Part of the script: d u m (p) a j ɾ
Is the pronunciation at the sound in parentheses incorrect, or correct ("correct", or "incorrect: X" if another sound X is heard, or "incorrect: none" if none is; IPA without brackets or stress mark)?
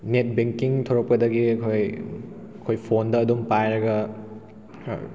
correct